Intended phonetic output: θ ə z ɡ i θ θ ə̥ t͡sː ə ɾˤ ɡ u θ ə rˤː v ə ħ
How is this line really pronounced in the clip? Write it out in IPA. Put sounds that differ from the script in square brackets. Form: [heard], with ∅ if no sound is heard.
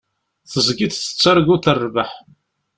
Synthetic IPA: θ ə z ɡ i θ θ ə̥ t͡sː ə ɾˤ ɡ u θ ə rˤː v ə ħ